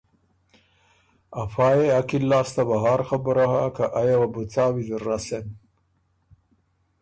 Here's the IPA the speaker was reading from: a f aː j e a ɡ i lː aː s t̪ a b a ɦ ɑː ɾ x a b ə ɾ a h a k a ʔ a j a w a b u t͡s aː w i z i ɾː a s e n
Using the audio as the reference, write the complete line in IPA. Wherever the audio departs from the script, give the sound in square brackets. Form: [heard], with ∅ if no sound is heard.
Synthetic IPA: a f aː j e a [k] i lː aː s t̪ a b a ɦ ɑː ɾ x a b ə ɾ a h a k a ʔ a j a w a b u t͡s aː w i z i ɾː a s e n

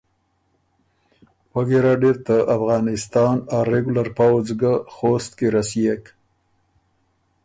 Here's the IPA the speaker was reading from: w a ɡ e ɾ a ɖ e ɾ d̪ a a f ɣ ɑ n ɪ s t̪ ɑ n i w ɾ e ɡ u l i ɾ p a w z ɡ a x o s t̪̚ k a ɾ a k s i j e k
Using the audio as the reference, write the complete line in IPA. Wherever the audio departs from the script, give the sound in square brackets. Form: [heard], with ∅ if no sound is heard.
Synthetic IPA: w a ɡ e ɾ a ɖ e ɾ [t̪] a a f ɣ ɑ n ɪ s t̪ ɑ n [a] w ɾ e ɡ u l [a] ɾ p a w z ɡ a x o s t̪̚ k [e] ɾ a [∅] s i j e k

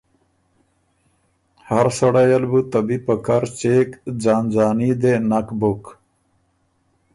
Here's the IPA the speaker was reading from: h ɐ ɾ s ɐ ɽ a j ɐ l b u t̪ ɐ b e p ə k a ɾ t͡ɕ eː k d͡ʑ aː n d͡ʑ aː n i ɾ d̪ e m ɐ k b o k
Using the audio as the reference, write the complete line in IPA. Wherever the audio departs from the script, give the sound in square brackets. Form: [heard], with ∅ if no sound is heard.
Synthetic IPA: h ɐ ɾ s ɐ ɽ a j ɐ l b u t̪ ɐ b [i] p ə k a ɾ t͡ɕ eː k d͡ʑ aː n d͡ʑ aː n i [∅] d̪ e [n] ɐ k b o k

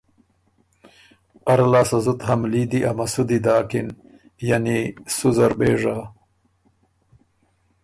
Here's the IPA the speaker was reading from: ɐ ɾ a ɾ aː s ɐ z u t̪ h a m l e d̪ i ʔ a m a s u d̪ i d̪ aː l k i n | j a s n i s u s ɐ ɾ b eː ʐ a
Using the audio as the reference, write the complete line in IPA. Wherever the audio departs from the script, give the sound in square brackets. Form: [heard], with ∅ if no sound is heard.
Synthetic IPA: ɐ ɾ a [l] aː s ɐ z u t̪ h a m l [i] d̪ i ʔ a m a s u d̪ i d̪ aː [∅] k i n | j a [∅] n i s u [z] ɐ ɾ b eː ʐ a

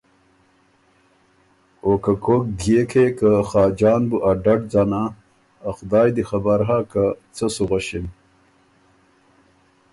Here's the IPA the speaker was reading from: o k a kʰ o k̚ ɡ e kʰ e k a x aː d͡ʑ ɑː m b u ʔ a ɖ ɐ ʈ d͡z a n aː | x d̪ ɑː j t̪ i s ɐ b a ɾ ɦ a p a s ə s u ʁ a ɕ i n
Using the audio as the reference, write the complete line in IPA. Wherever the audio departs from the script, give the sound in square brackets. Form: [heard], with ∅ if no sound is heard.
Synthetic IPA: o k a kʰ o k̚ ɡ e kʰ e k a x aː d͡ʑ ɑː [n] b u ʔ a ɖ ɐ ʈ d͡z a n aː | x d̪ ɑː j [d̪] i [x] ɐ b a ɾ ɦ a [k] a [t͡s] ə s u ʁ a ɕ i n

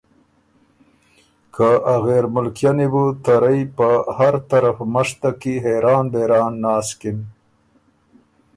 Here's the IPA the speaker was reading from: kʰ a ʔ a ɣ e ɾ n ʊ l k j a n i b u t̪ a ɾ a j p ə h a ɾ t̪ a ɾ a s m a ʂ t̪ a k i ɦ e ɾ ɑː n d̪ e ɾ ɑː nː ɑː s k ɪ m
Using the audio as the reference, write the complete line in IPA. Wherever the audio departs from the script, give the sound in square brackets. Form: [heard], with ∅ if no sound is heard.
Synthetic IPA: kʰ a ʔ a ɣ e ɾ [m] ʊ l k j a n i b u t̪ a ɾ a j p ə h a ɾ t̪ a ɾ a [f] m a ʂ t̪ a k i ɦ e ɾ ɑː n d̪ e ɾ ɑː nː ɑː s k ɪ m

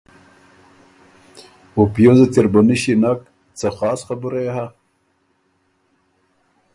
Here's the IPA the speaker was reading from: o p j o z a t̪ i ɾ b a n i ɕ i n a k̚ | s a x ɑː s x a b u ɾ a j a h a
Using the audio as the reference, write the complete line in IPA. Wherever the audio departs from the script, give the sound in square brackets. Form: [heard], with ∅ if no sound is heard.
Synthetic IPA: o p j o z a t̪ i ɾ b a n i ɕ i n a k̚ | [t͡s] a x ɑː s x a b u ɾ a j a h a

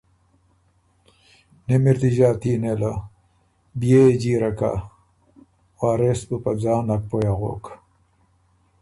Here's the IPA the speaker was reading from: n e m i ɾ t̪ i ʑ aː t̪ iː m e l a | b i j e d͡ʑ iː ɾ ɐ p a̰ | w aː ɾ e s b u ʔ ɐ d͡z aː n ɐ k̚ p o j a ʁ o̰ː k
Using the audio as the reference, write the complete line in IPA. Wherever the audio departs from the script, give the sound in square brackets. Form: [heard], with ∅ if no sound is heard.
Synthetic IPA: n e m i ɾ t̪ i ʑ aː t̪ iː [n] e l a | b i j e d͡ʑ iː ɾ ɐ [k] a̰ | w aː ɾ e s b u [p] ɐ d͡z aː n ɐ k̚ p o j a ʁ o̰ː k

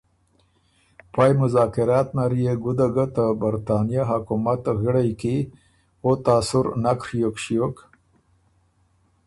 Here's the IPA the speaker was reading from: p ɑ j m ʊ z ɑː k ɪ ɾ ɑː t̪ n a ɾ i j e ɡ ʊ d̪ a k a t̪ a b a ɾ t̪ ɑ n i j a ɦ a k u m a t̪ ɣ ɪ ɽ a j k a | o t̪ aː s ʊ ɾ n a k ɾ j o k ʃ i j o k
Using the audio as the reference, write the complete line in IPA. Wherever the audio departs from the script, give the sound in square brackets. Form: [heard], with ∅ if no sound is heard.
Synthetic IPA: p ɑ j m ʊ z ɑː k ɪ ɾ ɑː t̪ n a ɾ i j e ɡ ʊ d̪ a [ɡ] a t̪ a b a ɾ t̪ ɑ n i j a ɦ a k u m a t̪ ɣ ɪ ɽ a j k [i] | o t̪ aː s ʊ ɾ n a k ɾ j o k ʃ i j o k

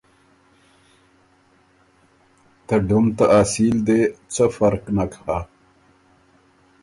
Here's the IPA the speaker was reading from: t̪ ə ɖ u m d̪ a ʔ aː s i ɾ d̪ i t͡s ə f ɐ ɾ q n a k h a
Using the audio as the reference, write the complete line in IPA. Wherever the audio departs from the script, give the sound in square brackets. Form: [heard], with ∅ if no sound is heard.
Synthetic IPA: t̪ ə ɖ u m [t̪] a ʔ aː s i [l] d̪ [e] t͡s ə f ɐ ɾ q n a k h a

